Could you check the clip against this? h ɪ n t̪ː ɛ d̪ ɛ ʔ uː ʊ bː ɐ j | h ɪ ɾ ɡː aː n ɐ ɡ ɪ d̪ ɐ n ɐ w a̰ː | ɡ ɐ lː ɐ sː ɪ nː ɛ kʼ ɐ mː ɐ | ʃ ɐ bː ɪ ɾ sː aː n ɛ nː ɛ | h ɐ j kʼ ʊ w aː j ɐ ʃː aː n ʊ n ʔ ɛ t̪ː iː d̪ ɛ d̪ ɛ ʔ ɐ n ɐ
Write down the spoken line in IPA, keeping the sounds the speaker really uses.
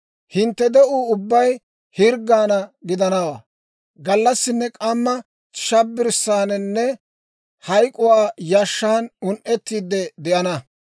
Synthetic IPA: h ɪ n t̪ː ɛ d̪ ɛ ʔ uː ʊ bː ɐ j | h ɪ ɾ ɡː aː n ɐ ɡ ɪ d̪ ɐ n ɐ w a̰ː | ɡ ɐ lː ɐ sː ɪ nː ɛ kʼ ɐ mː ɐ | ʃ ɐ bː ɪ ɾ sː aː n ɛ nː ɛ | h ɐ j kʼ ʊ w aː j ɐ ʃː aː n ʊ n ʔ ɛ t̪ː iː d̪ ɛ d̪ ɛ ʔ ɐ n ɐ